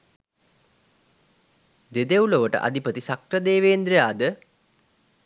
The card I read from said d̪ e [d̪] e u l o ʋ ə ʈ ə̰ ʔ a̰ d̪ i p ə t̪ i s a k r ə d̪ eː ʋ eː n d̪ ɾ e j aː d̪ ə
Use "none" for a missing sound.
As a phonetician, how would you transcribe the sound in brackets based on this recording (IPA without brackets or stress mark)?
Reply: d̪